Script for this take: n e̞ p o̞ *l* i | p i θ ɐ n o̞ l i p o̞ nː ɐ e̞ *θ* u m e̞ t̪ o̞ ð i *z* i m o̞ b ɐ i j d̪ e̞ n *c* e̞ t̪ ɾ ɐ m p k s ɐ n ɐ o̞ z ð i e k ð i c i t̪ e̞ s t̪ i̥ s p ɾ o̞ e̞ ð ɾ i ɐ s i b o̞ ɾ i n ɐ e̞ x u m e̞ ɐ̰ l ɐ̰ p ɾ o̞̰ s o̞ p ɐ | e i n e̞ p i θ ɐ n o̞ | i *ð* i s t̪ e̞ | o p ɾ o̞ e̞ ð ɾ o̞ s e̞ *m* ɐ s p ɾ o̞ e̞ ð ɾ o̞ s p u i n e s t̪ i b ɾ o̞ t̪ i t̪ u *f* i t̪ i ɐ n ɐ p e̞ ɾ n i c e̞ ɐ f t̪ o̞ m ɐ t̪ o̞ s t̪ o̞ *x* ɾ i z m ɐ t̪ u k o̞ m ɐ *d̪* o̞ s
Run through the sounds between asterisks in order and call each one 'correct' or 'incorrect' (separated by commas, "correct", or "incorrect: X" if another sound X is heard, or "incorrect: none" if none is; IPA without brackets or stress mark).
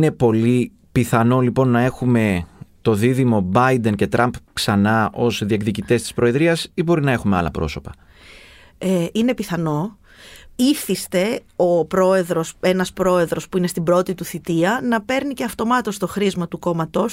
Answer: correct, incorrect: x, incorrect: ð, correct, incorrect: θ, incorrect: n, incorrect: θ, correct, incorrect: t̪